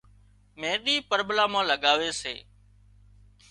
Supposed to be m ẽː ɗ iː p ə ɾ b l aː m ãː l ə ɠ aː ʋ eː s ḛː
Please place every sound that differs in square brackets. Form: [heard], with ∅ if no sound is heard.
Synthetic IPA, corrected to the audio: m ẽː ɗ iː p ə ɾ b l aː m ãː l ə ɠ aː ʋ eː s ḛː